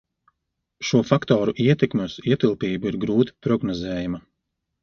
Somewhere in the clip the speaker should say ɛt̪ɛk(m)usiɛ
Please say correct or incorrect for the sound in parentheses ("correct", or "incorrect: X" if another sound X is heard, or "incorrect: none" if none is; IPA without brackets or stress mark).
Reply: correct